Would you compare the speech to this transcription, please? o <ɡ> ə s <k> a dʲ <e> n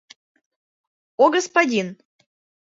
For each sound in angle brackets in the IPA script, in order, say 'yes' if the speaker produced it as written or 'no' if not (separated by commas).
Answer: yes, no, no